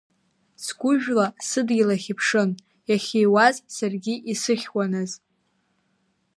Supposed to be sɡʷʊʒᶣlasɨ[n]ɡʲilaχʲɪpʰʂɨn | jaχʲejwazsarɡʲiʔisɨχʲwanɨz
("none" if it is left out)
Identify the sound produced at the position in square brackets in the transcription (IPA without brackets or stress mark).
d